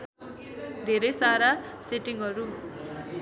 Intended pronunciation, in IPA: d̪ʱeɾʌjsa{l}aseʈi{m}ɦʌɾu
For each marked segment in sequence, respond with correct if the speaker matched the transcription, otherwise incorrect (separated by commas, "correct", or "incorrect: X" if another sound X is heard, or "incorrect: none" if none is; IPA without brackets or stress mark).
incorrect: ɾ, incorrect: ŋ